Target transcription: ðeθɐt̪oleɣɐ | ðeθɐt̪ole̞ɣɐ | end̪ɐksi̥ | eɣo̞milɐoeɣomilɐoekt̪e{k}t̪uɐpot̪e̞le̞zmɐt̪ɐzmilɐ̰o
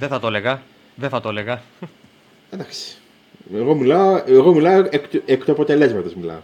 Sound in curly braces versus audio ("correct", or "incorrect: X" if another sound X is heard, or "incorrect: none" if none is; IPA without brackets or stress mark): correct